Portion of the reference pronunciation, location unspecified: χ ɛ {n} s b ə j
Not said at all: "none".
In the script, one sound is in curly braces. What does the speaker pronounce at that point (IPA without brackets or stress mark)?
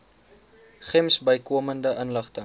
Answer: m